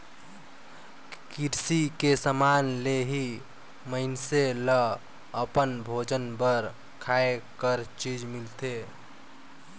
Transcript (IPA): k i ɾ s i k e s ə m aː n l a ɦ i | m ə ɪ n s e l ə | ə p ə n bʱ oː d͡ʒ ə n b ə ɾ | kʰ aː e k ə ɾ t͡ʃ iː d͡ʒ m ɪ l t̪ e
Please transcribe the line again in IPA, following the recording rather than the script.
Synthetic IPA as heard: k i ɾ s i k e s ə m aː n l e ɦ i | m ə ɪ n s e l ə | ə p ə n bʱ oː d͡ʒ ə n b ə ɾ | kʰ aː e k ə ɾ t͡ʃ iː d͡ʒ m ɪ l t̪ e